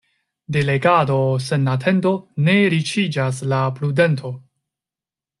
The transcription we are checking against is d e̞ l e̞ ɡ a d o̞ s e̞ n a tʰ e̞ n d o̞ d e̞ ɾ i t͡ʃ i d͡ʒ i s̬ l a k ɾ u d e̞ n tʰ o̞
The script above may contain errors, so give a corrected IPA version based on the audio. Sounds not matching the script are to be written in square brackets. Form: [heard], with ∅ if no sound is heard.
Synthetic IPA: d e̞ l e̞ ɡ a d o̞ s e̞ n a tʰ e̞ n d o̞ [n] e̞ ɾ i t͡ʃ i d͡ʒ [a] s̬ l a [p] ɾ u d e̞ n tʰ o̞